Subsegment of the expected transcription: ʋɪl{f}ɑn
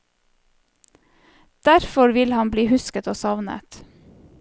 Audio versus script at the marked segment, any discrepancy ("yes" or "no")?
yes